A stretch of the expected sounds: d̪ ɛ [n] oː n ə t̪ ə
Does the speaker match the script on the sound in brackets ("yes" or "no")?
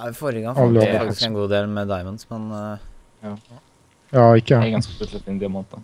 no